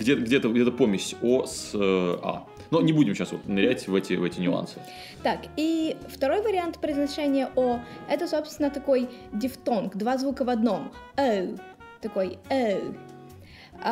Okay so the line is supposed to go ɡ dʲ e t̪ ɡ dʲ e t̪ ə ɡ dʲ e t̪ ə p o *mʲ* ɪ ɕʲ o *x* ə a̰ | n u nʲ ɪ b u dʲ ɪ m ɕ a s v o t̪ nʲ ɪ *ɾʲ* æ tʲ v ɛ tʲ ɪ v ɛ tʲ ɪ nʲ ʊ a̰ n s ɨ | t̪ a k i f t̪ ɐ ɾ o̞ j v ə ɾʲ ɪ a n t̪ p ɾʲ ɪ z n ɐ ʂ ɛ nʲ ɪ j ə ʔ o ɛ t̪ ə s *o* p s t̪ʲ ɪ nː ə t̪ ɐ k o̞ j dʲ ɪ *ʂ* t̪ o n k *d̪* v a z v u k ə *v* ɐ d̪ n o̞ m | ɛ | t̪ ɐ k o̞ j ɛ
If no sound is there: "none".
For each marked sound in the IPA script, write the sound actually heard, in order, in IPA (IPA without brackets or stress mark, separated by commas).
mʲ, s, ɾʲ, o, f, d̪, v